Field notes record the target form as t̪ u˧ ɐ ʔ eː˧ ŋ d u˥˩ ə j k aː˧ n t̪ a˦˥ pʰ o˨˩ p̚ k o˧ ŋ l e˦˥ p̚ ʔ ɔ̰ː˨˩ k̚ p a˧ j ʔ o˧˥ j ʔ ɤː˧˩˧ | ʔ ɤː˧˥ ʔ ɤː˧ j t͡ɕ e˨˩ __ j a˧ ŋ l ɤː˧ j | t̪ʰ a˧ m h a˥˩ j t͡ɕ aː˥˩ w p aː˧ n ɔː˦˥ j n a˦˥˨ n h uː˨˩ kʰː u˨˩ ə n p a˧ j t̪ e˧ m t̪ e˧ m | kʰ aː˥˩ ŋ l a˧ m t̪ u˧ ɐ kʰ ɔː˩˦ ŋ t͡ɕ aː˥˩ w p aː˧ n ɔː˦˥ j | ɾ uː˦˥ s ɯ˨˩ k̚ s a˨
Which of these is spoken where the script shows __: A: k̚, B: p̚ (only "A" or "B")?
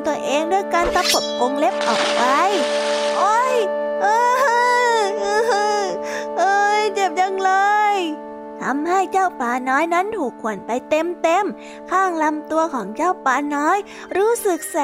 B